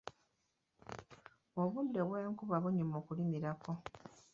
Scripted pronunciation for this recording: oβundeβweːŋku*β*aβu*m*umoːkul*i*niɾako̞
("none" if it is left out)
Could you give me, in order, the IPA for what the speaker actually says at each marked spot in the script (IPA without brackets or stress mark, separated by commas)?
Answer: β, ɲ, i